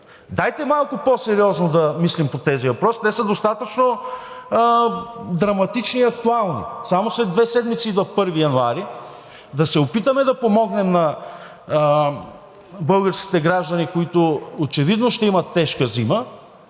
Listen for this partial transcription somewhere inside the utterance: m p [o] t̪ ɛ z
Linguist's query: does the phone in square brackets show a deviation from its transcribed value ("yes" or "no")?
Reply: no